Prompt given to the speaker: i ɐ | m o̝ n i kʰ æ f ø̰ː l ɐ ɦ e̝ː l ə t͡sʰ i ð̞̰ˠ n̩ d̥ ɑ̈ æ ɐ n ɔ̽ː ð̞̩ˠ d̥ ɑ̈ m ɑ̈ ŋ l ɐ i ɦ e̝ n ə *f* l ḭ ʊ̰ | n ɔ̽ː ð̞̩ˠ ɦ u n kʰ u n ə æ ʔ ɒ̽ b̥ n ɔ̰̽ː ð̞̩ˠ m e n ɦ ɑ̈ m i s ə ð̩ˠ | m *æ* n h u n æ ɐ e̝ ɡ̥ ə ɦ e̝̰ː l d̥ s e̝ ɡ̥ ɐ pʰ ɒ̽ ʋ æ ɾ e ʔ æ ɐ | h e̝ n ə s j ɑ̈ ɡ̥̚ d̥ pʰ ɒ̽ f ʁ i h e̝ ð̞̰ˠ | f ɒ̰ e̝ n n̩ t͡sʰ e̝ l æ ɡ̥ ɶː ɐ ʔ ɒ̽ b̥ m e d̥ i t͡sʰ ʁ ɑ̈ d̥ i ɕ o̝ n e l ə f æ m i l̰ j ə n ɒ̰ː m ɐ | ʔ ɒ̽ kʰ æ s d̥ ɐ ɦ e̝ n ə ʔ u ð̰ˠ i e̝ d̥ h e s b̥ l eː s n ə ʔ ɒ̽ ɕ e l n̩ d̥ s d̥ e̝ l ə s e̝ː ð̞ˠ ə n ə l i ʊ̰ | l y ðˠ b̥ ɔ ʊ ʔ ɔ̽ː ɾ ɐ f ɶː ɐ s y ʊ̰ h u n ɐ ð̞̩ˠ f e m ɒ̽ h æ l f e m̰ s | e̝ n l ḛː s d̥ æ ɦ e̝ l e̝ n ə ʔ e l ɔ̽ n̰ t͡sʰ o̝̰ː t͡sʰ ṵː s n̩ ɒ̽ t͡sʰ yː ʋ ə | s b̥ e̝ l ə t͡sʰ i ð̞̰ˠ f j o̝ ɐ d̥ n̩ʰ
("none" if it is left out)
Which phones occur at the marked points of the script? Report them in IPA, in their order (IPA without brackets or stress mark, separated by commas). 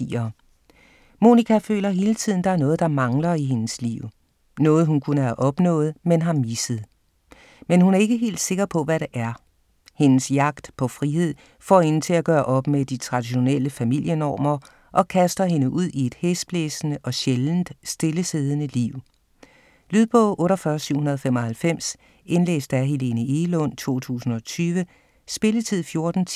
s, e